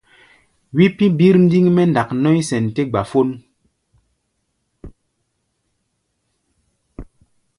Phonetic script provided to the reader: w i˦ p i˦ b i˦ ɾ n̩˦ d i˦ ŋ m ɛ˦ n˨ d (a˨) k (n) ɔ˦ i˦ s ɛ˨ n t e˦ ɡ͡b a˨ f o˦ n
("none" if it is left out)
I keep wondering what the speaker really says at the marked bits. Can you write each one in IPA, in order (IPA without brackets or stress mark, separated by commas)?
a˨, n